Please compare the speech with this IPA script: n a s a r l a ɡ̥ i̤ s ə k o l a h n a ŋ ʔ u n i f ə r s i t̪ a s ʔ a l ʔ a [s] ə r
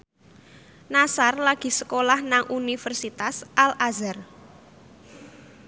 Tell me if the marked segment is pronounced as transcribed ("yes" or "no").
no